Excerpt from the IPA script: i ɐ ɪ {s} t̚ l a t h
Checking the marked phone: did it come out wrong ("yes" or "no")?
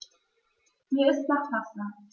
no